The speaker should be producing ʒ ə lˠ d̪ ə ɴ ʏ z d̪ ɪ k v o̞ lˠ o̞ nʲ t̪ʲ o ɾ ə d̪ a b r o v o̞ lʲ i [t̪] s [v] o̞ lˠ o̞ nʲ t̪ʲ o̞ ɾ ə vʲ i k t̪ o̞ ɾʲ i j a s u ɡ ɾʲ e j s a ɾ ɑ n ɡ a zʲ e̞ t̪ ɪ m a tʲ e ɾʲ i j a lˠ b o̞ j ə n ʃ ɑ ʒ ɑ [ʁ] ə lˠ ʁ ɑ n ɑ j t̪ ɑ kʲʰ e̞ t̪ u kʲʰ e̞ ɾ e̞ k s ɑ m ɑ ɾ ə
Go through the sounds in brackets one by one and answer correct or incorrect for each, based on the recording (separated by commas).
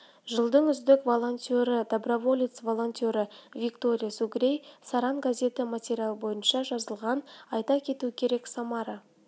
correct, correct, incorrect